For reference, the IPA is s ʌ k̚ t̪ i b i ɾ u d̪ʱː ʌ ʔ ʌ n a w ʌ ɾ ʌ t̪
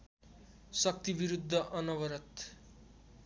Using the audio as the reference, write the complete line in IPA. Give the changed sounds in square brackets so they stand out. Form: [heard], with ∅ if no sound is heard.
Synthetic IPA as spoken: s ʌ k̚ t̪ i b i ɾ u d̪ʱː ʌ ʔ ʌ n [ʌ] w ʌ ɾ ʌ t̪